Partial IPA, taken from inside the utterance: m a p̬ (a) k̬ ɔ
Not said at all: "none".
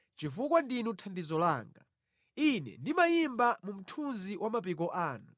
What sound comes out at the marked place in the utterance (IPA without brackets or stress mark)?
i